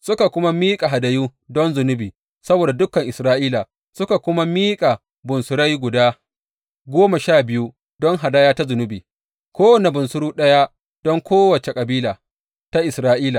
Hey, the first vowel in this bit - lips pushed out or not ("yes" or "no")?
yes